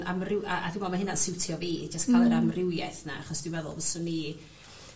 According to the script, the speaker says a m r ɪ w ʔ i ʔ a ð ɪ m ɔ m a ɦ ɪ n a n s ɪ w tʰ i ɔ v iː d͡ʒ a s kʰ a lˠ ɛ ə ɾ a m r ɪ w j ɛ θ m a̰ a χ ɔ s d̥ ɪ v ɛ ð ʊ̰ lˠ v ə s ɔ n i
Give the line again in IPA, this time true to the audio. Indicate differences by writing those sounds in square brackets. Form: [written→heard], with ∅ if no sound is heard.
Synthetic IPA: a m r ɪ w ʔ [i→a] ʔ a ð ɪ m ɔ m a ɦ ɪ n a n s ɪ w tʰ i ɔ v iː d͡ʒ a s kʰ a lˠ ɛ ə ɾ a m r ɪ w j ɛ θ [m→n] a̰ a χ ɔ s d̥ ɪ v ɛ ð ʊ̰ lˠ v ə s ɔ n i